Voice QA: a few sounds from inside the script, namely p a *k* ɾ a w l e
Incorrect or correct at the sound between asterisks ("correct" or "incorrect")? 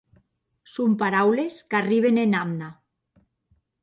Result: incorrect